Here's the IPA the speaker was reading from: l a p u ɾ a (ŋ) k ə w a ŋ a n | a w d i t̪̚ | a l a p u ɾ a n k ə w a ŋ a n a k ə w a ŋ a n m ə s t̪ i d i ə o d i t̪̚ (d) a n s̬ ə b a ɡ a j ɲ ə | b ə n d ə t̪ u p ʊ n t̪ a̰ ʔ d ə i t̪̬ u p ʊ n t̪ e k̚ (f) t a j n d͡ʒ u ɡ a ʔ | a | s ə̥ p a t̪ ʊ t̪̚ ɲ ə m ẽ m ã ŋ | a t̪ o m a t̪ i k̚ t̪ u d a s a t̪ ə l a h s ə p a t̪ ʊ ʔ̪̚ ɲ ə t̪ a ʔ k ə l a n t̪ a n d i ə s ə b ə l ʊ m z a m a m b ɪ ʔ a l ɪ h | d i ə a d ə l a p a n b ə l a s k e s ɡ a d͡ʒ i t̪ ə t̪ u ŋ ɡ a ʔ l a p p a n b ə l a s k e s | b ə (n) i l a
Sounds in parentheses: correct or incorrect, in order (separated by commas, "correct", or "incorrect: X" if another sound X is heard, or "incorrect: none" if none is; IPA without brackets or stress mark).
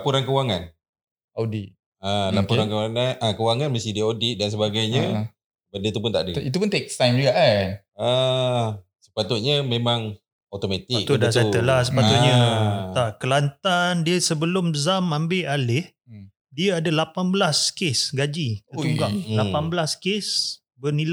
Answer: incorrect: n, correct, incorrect: s, correct